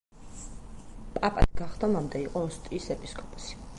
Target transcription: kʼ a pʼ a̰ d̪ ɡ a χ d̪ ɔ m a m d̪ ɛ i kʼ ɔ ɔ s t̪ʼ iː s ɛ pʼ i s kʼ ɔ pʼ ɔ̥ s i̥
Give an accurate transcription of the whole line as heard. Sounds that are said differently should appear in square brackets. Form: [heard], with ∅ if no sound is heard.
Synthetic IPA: [pʼ] a pʼ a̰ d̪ ɡ a χ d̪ ɔ m a m d̪ ɛ i [qʼ] ɔ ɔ s t̪ʼ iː s ɛ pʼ i s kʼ ɔ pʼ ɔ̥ s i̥

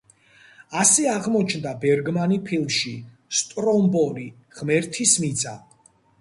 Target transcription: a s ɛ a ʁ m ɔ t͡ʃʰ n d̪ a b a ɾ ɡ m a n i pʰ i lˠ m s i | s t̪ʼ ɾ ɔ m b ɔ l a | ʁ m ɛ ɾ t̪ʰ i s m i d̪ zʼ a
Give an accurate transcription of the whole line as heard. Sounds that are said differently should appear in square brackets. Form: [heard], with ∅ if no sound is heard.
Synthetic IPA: a s ɛ a ʁ m ɔ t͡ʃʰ n d̪ a b [ɛ] ɾ ɡ m a n i pʰ i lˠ m [ʃ] i | s t̪ʼ ɾ ɔ m b ɔ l [i] | ʁ m ɛ ɾ t̪ʰ i s m i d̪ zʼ a

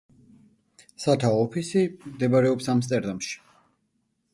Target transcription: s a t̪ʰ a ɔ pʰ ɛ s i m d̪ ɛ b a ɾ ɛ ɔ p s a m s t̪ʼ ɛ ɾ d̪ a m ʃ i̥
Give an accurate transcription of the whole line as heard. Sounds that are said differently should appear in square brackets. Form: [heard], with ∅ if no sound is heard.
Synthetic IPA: s a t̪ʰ a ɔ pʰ [i] s i m d̪ ɛ b a ɾ ɛ ɔ p s a m s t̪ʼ ɛ ɾ d̪ a m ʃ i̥

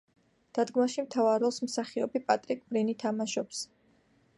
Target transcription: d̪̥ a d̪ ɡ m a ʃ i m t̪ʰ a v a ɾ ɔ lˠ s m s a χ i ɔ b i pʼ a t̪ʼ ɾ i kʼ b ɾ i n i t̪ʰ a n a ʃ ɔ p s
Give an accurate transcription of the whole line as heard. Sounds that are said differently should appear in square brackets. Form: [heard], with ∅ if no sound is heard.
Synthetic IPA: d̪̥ a d̪ ɡ m a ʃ i m t̪ʰ a v a ɾ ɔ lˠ s m s a χ i ɔ b i pʼ a t̪ʼ ɾ i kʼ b ɾ i n i t̪ʰ a [m] a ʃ ɔ p s

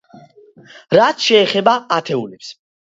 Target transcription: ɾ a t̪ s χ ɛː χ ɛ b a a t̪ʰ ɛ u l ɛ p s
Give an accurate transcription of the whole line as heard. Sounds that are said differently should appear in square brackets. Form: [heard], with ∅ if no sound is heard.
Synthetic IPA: ɾ a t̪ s [ʃ] ɛː χ ɛ b a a t̪ʰ ɛ u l ɛ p s

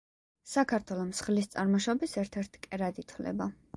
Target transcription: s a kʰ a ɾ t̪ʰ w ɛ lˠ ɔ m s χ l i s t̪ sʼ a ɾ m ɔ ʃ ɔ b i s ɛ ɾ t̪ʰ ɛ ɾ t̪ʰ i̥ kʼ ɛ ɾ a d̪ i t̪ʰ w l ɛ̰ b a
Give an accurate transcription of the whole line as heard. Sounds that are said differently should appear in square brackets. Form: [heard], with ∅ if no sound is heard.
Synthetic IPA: s a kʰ a ɾ t̪ʰ w ɛ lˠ ɔ m s χ l i s t̪ sʼ a ɾ m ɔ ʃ ɔ b i s ɛ ɾ t̪ʰ ɛ ɾ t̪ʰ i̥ kʼ ɛ ɾ a d̪ i t̪ʰ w l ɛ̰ b a

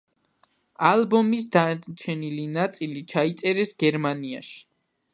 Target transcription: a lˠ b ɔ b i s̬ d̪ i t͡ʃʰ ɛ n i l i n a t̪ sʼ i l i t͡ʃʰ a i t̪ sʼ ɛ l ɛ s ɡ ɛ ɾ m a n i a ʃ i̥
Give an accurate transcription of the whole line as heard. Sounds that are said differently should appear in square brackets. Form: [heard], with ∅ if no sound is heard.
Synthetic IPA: a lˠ b ɔ [m] i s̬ d̪ [a] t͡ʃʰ ɛ n i l i n a t̪ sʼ i l i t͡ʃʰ a i t̪ sʼ ɛ [ɾ] ɛ s ɡ ɛ ɾ m a n i a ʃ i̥

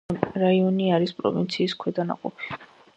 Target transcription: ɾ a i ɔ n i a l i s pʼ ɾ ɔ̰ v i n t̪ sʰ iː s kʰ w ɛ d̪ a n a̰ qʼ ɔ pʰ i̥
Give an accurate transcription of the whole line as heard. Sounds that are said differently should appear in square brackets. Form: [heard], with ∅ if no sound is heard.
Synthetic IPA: ɾ a i ɔ n i a [ɾ] i s pʼ ɾ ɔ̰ v i n t̪ sʰ iː s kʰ w ɛ d̪ a n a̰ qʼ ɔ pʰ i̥

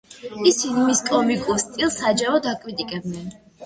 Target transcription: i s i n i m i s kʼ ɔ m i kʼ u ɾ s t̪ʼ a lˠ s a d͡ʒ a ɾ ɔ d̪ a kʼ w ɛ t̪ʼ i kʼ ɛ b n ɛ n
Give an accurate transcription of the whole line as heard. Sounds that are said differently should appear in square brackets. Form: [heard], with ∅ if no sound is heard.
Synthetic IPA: i s i n i m i s kʼ ɔ m i kʼ u ɾ s t̪ʼ [i] lˠ s a d͡ʒ a ɾ ɔ d̪ a kʼ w [i] t̪ʼ i kʼ ɛ b n ɛ n

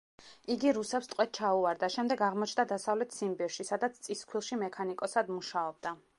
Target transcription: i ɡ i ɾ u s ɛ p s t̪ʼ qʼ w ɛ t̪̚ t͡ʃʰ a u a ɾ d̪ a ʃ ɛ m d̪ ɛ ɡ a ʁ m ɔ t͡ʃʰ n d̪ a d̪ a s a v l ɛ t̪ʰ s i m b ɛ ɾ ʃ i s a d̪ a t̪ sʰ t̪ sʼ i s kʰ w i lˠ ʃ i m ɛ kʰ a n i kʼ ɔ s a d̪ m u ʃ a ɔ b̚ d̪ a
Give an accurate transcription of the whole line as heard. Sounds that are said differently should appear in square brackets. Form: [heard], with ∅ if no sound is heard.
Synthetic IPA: i ɡ i ɾ u s ɛ p s t̪ʼ qʼ w ɛ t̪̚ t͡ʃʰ a u a ɾ d̪ a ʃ ɛ m d̪ ɛ ɡ a ʁ m ɔ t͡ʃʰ n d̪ a d̪ a s a v l ɛ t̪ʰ s i m b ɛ ɾ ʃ i s a d̪ a t̪ sʰ t̪ sʼ i s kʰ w i lˠ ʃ i m ɛ kʰ a n i kʼ ɔ s a d̪ m u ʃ a ɔ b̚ d̪ a

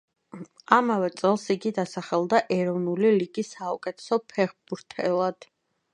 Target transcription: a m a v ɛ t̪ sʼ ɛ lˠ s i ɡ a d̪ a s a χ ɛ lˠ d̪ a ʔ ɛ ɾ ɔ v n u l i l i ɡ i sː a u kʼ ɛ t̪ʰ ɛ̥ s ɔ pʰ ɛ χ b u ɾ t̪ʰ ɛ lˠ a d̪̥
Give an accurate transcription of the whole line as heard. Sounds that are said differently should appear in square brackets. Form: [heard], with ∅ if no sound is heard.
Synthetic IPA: a m a v ɛ t̪ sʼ ɛ lˠ s i ɡ [i] d̪ a s a χ ɛ lˠ d̪ a ʔ ɛ ɾ ɔ v n u l i l i ɡ i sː a u kʼ ɛ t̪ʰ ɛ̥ s ɔ pʰ ɛ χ b u ɾ t̪ʰ ɛ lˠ a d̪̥

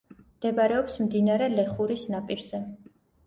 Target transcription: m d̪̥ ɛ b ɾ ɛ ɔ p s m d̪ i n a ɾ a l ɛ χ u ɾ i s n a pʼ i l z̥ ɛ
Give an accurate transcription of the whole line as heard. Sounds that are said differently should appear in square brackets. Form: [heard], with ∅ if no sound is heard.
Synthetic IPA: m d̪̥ ɛ b ɾ ɛ ɔ p s m d̪ i n a ɾ [ɛ] l ɛ χ u ɾ i s n a pʼ i [ɾ] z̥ ɛ

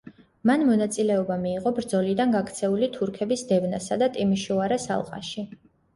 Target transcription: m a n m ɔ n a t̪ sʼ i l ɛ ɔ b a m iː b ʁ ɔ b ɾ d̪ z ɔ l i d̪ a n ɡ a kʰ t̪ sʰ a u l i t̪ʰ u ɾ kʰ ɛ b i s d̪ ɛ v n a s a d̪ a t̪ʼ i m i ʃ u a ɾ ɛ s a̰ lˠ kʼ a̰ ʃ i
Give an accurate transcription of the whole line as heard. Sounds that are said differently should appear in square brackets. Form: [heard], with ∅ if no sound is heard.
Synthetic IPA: m a n m ɔ n a t̪ sʼ i l ɛ ɔ b a m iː [∅] ʁ ɔ b ɾ d̪ z ɔ l i d̪ a n ɡ a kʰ t̪ sʰ [ɛ] u l i t̪ʰ u ɾ kʰ ɛ b i s d̪ ɛ v n a s a d̪ a t̪ʼ i m i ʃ u a ɾ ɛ s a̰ lˠ [qʼ] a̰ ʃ i

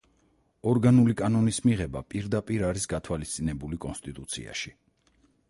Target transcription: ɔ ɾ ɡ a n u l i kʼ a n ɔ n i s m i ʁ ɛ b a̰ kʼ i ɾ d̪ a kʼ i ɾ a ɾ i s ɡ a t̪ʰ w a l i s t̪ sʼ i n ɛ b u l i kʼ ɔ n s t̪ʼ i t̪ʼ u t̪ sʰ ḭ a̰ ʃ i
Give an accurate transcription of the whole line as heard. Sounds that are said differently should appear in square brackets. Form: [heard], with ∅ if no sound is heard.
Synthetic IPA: ɔ ɾ ɡ a n u l i kʼ a n ɔ n i s m i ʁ ɛ b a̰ [pʼ] i ɾ d̪ a [pʼ] i ɾ a ɾ i s ɡ a t̪ʰ w a l i s t̪ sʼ i n ɛ b u l i kʼ ɔ n s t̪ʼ i t̪ʼ u t̪ sʰ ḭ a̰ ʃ i

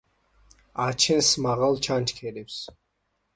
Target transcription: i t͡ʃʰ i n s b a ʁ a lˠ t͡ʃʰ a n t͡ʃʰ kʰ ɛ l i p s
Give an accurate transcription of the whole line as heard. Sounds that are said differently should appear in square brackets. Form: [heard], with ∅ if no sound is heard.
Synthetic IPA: [a] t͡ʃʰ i n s [m] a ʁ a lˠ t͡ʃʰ a n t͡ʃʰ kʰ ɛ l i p s

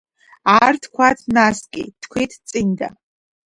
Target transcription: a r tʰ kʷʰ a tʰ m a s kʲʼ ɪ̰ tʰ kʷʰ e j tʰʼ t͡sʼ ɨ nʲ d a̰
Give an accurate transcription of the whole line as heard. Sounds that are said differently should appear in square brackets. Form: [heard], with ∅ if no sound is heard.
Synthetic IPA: a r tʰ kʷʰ a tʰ [n] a s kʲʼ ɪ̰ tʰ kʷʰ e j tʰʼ t͡sʼ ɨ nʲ d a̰

